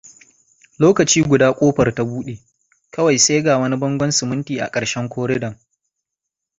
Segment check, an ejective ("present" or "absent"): present